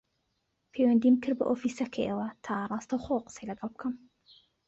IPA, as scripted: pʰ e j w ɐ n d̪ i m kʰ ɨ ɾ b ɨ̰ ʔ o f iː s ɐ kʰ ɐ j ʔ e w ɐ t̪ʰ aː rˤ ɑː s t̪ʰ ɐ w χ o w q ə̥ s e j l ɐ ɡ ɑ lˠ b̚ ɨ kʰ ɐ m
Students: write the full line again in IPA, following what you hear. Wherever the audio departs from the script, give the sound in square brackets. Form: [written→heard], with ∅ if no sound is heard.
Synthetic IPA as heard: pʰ e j w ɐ n d̪ i m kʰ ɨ ɾ b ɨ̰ ʔ o f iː s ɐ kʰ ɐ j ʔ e w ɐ t̪ʰ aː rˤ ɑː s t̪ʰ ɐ w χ o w q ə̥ s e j l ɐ ɡ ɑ lˠ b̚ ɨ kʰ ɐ m